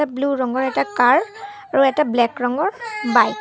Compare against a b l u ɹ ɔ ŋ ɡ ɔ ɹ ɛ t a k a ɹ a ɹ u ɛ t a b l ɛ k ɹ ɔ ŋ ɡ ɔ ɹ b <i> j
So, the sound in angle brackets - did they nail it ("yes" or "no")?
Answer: no